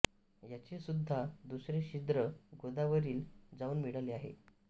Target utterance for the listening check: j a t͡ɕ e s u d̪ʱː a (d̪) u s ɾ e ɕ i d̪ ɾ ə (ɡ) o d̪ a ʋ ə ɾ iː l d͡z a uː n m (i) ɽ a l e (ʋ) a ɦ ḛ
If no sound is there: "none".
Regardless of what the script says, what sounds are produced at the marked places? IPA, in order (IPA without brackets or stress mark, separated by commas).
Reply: d̪, ɡ, i, none